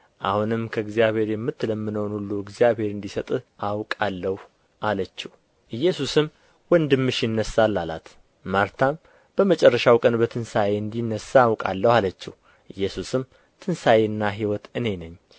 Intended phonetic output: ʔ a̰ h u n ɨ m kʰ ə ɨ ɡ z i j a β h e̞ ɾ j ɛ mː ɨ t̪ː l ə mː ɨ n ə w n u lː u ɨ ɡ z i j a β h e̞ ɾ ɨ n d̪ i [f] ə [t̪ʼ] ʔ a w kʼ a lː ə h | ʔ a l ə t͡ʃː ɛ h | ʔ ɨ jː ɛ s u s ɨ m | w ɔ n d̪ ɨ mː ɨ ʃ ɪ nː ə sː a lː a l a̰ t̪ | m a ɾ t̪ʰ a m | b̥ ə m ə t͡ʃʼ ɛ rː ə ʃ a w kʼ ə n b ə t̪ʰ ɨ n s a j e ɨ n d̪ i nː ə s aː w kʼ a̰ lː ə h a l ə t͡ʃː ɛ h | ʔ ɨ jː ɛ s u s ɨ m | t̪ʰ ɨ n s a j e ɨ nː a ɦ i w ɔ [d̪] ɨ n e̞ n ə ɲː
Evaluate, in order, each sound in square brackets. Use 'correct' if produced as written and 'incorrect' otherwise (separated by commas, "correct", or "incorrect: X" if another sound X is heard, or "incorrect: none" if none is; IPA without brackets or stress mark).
incorrect: s, correct, incorrect: t̪